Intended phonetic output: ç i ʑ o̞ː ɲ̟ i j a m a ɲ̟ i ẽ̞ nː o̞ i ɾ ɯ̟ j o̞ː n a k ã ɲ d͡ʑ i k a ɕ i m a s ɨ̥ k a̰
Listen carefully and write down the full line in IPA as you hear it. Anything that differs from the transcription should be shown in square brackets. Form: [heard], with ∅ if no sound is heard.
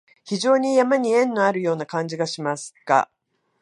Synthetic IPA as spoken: ç i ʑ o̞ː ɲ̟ i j a m a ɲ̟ i ẽ̞ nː o̞ [a] ɾ ɯ̟ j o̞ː n a k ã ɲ d͡ʑ i [ɡ] a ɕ i m a s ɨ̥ k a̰